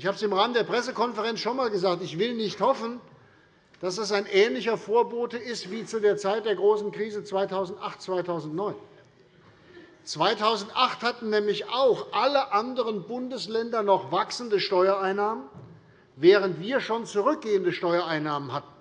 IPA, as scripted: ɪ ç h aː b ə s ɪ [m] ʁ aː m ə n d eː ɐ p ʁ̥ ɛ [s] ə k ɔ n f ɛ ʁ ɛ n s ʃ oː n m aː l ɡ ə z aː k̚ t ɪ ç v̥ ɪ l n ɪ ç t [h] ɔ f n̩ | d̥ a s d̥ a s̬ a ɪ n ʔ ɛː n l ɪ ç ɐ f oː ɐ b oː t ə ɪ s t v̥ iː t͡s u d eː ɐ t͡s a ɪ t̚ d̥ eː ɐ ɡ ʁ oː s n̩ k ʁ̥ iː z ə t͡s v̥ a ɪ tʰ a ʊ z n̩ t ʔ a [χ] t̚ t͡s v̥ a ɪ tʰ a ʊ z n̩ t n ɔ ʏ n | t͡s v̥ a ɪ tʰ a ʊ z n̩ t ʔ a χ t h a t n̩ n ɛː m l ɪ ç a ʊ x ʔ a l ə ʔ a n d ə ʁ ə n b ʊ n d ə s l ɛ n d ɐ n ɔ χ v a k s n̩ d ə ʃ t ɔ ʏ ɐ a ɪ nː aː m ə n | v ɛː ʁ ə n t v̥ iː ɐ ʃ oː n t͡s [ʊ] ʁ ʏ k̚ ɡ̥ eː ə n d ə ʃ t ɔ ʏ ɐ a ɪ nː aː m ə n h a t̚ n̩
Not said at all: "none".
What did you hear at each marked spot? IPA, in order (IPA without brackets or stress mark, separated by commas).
m, s, h, χ, u